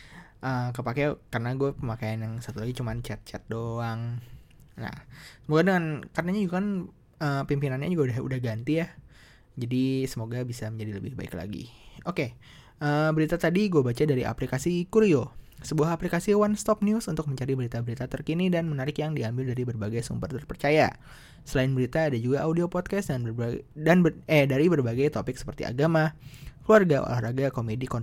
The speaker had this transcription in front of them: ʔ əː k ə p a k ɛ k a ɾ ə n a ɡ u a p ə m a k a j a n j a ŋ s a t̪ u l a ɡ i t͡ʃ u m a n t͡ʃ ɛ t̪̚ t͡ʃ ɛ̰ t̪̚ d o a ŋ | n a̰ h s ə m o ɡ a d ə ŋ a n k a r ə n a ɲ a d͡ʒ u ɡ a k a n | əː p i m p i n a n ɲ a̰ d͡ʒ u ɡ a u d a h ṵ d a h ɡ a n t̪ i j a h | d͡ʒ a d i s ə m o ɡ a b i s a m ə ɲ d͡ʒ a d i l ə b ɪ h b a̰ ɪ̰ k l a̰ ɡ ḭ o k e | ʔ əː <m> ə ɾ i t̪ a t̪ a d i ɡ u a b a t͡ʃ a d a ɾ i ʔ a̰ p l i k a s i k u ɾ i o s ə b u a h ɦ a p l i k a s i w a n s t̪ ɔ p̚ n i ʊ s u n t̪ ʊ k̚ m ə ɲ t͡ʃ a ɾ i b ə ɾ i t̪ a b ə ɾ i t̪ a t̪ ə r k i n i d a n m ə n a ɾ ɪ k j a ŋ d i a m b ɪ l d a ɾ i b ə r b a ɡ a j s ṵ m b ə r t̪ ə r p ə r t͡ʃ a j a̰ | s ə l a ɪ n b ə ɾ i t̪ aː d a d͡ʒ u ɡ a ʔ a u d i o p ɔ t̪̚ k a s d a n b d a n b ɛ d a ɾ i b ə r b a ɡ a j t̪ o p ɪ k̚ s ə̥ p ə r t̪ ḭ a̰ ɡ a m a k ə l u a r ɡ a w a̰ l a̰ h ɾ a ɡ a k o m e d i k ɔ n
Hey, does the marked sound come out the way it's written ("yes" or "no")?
no